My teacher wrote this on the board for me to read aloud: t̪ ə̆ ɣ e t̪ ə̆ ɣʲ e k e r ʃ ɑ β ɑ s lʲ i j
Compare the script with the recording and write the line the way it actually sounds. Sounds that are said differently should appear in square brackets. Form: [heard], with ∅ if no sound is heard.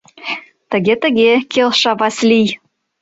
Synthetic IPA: t̪ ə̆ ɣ e t̪ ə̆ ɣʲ e k e [l] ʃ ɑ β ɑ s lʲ i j